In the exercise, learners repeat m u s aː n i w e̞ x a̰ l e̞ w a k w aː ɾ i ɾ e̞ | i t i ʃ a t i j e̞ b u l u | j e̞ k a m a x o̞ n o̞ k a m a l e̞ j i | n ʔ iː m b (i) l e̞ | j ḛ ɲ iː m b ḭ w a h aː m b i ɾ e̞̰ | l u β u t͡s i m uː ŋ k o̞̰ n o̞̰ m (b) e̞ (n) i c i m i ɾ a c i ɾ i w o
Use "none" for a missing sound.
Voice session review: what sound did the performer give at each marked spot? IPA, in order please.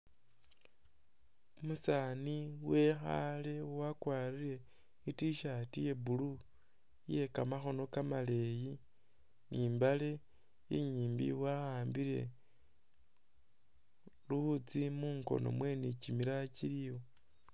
a, w, n

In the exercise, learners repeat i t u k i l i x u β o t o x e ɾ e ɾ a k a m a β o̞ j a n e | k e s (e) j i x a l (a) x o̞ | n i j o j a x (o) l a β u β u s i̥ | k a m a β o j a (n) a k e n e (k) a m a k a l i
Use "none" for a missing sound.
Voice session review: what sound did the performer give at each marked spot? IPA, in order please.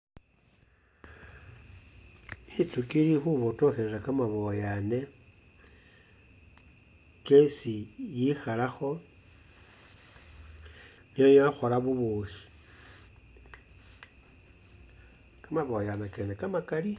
i, a, o, n, k

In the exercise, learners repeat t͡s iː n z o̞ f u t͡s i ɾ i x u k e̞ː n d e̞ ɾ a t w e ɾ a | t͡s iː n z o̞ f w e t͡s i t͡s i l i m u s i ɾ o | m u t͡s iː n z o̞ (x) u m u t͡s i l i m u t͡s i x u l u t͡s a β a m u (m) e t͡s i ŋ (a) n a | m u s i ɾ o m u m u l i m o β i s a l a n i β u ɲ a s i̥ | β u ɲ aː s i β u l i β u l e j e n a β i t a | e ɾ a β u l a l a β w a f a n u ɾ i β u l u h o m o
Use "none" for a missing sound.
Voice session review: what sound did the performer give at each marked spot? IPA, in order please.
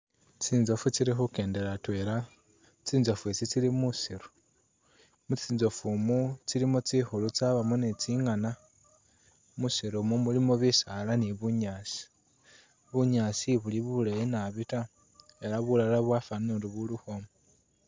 f, n, a

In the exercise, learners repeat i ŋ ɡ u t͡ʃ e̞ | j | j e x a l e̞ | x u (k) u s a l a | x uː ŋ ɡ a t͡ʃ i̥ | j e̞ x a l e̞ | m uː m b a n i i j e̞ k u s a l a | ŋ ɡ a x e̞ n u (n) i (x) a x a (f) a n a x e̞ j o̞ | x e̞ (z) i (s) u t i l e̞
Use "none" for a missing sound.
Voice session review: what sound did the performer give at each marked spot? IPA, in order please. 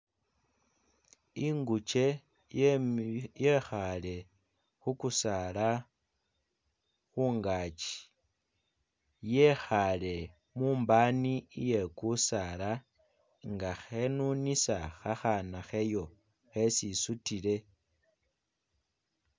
k, n, s, x, s, s

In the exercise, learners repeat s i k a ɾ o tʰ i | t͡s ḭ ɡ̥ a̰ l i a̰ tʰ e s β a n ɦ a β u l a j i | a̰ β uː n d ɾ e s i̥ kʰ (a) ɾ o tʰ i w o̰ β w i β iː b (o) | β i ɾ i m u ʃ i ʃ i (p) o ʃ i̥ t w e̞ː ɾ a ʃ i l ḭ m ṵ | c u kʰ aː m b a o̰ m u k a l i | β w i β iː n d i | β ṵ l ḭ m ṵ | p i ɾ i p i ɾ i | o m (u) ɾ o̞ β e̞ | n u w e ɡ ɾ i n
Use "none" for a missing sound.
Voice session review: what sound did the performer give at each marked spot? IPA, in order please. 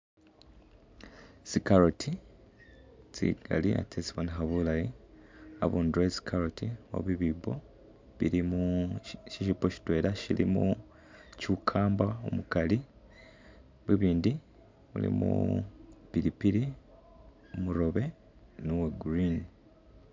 a, o, p, u

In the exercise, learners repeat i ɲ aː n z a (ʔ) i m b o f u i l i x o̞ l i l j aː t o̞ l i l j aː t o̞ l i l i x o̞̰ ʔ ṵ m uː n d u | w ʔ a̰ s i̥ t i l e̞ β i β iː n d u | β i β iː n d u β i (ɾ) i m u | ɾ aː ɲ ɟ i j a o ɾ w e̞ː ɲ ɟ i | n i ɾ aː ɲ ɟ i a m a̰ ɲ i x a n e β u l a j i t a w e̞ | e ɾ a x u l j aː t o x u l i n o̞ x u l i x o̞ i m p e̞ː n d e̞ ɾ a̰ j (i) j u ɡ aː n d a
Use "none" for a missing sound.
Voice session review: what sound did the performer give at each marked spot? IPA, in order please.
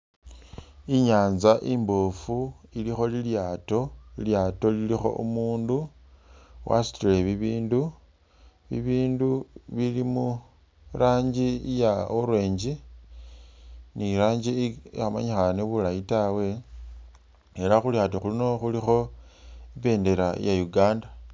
ʔ, l, a

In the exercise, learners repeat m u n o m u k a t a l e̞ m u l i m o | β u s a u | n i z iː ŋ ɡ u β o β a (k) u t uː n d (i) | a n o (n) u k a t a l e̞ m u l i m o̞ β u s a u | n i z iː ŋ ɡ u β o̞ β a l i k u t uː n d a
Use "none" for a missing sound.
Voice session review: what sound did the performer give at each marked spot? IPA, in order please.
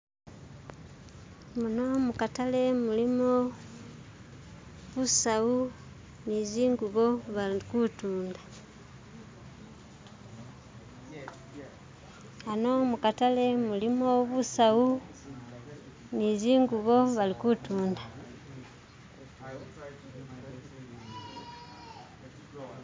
k, a, m

